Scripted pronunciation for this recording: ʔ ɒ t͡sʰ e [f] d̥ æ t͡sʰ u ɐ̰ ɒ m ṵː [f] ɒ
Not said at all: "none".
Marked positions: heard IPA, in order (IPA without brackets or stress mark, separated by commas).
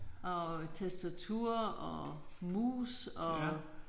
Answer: s, s